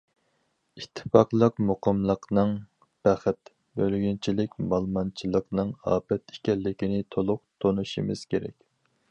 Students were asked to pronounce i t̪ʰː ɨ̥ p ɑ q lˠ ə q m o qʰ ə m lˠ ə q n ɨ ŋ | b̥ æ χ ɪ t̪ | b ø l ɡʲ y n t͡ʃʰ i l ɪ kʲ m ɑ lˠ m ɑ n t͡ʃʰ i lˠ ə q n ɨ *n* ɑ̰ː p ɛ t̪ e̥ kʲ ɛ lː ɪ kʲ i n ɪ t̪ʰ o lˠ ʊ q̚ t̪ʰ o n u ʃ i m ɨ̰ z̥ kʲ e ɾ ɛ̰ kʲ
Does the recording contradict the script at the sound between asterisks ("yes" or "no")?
yes